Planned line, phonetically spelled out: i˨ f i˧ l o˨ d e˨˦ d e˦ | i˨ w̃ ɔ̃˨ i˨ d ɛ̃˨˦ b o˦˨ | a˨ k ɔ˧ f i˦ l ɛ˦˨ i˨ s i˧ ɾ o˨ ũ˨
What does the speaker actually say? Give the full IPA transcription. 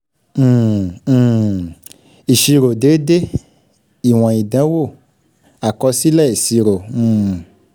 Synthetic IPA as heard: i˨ ʃ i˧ ɾ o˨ d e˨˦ d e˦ | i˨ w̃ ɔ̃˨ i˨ d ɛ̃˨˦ w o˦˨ | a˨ k ɔ˧ s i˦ l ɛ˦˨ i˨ s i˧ ɾ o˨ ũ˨